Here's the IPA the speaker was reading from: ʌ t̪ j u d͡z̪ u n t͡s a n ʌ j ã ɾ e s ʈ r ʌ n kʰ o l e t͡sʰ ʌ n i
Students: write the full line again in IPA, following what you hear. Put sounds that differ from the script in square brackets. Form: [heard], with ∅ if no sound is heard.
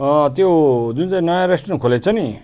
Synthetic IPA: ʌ t̪ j [o] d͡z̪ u n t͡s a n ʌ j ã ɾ e s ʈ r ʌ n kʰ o l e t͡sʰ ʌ n i